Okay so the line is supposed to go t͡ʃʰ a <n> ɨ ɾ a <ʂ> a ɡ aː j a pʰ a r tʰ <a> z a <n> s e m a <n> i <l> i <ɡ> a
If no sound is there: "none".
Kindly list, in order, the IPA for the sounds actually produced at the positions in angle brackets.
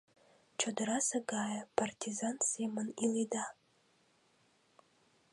d, s, i, n, n, l, d

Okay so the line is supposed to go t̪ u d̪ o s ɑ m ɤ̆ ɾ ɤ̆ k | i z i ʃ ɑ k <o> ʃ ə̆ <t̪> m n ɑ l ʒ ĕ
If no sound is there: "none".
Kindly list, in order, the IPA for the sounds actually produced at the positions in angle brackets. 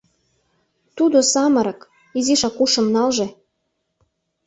u, none

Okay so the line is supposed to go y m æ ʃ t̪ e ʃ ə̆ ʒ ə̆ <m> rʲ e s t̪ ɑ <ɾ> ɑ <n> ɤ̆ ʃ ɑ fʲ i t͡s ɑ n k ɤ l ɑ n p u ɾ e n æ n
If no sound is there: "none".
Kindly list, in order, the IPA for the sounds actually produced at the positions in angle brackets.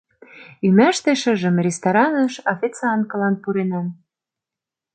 m, ɾ, n

